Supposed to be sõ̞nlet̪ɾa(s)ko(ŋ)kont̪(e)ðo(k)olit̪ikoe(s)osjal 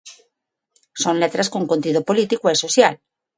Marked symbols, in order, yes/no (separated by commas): yes, yes, no, no, yes